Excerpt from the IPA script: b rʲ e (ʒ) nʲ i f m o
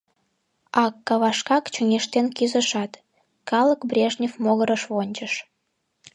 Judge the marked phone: correct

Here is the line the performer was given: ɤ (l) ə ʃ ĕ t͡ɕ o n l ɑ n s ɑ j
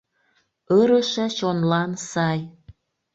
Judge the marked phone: incorrect: ɾ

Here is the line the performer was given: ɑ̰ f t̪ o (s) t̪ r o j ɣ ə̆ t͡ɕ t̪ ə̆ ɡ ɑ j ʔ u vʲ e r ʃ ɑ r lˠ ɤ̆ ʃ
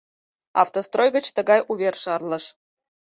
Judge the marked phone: correct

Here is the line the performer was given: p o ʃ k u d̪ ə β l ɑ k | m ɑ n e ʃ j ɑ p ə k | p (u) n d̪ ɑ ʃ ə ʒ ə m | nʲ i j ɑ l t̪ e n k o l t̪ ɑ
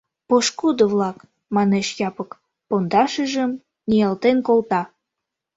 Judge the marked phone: incorrect: o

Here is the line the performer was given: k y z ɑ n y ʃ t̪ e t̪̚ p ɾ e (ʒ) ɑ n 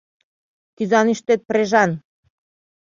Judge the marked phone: correct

